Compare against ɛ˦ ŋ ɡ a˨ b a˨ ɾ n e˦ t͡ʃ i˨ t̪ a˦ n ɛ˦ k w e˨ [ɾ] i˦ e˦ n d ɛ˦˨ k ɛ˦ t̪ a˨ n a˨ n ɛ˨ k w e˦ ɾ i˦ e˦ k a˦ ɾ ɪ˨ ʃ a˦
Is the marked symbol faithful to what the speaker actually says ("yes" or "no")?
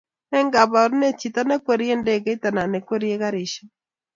yes